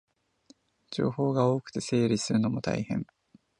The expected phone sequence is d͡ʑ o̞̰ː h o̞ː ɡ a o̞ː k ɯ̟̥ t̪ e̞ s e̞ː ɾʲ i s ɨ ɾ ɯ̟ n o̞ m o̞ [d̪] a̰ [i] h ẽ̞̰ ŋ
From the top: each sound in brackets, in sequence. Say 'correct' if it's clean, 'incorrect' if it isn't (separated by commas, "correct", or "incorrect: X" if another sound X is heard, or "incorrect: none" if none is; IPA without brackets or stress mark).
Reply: incorrect: t̪, correct